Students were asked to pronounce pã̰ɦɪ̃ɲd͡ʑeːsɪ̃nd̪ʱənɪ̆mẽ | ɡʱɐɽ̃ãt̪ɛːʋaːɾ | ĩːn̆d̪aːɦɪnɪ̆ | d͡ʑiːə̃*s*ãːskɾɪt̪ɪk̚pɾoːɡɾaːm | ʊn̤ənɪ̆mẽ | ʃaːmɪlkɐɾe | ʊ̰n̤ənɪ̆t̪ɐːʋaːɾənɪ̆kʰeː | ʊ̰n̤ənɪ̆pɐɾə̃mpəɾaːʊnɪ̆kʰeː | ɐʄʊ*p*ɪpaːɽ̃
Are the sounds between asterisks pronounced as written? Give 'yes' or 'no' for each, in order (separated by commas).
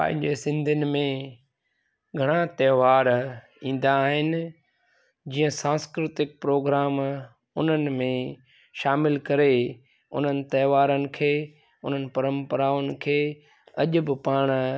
yes, no